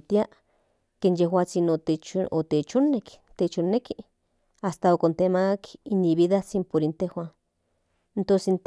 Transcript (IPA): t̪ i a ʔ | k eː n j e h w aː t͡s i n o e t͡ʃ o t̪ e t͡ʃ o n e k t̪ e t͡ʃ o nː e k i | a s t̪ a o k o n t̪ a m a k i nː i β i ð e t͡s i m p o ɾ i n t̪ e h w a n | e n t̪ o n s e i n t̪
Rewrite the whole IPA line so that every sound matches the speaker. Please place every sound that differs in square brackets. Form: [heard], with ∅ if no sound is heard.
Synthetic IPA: t̪ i a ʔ | k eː n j e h w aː t͡s i n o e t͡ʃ o t̪ e t͡ʃ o n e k t̪ e t͡ʃ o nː e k i | a s t̪ a o k o n t̪ [e] m a k i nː i β i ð [a] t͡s i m p o ɾ i n t̪ e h w a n | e n t̪ o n s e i n t̪